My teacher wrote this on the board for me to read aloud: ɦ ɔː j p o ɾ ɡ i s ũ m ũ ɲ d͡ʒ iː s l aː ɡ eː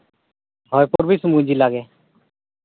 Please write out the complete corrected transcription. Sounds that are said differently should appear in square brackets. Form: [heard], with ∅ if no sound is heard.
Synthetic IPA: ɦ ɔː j p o ɾ [b] i s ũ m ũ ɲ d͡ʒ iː [∅] l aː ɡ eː